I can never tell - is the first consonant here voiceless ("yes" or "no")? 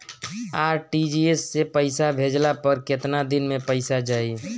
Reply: no